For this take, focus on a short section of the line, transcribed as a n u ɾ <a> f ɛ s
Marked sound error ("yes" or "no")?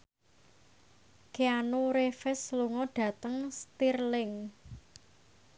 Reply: yes